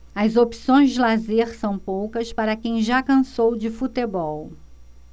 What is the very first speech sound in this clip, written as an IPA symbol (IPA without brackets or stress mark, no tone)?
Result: ɐ